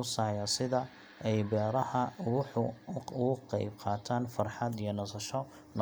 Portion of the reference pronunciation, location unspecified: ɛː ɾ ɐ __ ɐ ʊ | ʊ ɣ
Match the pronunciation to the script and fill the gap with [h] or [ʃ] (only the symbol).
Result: h